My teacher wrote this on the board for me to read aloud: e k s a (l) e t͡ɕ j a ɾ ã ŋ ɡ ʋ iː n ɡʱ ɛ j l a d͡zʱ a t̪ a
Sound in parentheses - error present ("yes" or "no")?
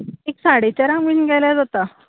yes